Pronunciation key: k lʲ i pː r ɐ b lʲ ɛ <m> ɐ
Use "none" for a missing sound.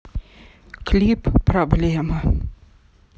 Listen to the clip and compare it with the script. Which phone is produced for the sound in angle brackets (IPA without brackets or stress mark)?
m